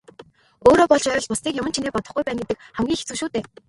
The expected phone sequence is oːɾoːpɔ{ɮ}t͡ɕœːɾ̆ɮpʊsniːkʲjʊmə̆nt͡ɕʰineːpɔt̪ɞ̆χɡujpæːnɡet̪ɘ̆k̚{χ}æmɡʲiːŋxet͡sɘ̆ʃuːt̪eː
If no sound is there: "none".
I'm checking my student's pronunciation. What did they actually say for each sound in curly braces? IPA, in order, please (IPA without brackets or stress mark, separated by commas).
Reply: ɮ, χ